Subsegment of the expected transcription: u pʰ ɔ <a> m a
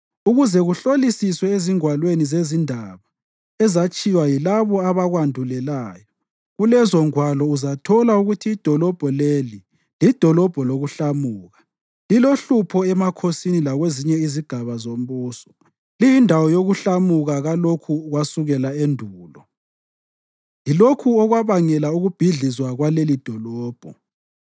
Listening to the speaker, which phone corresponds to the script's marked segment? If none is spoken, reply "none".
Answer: ɛ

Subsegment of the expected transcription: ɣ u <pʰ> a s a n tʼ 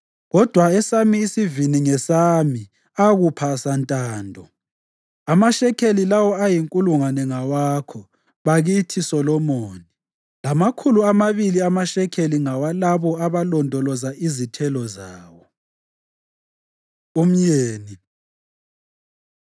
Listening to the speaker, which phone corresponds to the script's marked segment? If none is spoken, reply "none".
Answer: pʰ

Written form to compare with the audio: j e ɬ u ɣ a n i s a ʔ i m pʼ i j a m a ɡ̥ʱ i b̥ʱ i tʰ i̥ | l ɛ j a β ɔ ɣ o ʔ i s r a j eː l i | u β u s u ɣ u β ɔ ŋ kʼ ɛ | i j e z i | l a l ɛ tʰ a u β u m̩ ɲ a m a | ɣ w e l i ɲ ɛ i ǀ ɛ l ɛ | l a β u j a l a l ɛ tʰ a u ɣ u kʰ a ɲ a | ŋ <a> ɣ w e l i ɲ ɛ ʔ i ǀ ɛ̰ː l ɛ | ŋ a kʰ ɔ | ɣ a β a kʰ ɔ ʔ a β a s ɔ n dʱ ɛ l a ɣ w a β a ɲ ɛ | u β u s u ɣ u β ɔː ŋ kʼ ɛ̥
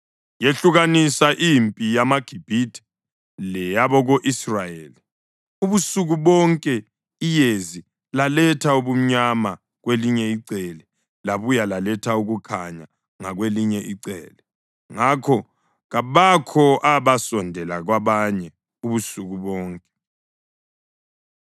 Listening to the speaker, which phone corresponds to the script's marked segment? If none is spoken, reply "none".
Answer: a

